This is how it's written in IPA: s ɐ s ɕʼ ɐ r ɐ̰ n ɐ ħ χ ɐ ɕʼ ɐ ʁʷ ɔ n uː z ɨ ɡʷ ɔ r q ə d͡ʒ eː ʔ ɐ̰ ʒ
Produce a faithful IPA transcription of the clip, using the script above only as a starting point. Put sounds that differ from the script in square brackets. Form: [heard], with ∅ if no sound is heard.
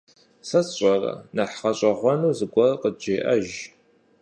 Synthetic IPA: s ɐ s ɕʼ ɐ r ɐ̰ n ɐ ħ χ ɐ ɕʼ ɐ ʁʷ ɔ n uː z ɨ ɡʷ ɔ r q ə d͡ʒ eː ʔ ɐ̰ ʒ

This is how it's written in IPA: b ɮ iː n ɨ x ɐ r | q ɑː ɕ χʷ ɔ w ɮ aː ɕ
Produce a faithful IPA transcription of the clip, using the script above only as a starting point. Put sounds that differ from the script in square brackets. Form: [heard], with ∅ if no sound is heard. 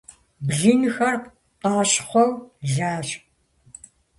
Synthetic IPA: b ɮ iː n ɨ x ɐ r | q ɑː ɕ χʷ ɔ w ɮ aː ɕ

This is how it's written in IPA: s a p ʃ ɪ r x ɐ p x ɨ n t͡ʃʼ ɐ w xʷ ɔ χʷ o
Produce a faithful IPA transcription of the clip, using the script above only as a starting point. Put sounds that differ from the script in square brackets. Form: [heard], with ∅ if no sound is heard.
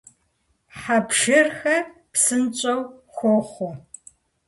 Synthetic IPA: [ħ] a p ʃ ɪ r x ɐ p [s] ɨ n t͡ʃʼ ɐ w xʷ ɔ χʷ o

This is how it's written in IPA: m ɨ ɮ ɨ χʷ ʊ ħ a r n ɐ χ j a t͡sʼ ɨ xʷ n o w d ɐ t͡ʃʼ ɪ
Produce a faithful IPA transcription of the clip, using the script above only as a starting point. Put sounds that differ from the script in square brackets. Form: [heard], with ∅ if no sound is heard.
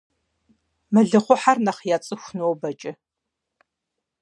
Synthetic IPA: m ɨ ɮ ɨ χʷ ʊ ħ a r n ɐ χ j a t͡sʼ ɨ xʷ n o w [b] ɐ t͡ʃʼ ɪ

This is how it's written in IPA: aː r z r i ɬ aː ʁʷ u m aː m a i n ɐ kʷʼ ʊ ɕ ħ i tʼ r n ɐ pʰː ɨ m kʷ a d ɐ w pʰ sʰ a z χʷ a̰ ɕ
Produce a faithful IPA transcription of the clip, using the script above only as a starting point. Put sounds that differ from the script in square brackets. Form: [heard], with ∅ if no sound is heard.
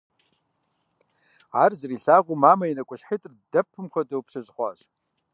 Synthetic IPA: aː r z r i ɬ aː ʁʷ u m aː m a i n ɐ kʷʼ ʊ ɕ ħ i tʼ r [d] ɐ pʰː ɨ m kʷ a d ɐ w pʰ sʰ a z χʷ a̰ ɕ

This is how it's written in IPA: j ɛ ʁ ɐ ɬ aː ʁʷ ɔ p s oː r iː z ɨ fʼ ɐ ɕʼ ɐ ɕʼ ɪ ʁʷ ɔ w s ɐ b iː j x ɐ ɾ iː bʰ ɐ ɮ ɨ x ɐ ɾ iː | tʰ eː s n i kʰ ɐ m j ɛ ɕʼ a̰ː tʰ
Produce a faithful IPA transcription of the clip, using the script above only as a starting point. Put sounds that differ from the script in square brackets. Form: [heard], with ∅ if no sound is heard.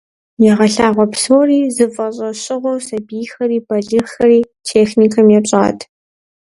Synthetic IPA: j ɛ ʁ ɐ ɬ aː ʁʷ ɔ p s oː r iː z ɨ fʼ ɐ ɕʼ ɐ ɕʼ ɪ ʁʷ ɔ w s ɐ b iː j x ɐ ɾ iː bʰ ɐ ɮ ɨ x ɐ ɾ iː | tʰ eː [x] n i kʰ ɐ m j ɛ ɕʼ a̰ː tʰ

